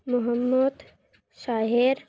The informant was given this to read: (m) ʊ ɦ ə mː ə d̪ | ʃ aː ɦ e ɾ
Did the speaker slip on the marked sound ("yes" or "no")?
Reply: no